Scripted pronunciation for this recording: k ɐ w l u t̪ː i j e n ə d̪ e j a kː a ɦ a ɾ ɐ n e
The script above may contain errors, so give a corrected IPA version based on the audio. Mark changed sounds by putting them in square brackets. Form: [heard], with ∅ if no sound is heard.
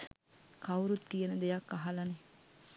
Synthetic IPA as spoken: k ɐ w [ɾ] u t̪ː i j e n ə d̪ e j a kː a ɦ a [l] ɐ n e